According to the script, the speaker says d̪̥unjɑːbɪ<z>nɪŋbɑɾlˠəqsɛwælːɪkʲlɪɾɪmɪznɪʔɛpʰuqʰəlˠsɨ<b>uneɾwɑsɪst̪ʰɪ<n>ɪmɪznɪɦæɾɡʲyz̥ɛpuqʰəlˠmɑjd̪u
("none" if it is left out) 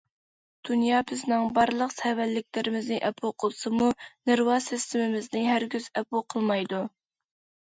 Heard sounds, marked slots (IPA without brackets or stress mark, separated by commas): z, m, m